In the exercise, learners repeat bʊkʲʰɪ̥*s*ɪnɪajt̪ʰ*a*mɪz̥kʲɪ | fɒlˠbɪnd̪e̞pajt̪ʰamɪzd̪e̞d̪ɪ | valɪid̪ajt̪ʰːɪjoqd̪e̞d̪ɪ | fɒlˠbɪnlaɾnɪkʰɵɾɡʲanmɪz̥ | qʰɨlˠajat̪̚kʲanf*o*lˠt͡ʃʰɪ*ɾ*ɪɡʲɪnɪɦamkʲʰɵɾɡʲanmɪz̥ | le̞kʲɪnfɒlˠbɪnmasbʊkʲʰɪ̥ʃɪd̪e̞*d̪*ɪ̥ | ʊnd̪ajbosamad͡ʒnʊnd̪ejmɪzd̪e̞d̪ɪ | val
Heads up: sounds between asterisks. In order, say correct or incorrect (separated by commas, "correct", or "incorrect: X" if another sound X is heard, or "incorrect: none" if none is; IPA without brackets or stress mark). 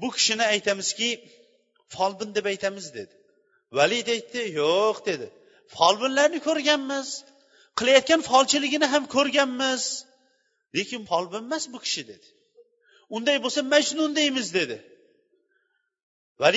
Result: incorrect: ʃ, correct, incorrect: ɒ, incorrect: l, correct